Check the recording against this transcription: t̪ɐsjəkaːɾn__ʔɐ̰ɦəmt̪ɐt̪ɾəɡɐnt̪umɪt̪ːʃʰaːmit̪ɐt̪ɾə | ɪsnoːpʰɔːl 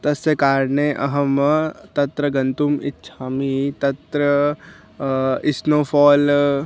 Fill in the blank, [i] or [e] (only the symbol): e